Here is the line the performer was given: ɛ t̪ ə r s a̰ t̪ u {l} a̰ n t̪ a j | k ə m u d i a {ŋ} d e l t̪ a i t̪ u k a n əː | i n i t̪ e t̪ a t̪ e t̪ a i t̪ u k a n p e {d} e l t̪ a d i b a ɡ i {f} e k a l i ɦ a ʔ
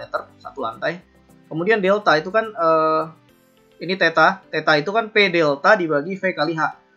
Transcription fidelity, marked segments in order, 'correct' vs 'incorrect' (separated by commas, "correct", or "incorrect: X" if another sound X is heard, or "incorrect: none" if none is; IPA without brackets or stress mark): correct, incorrect: n, correct, correct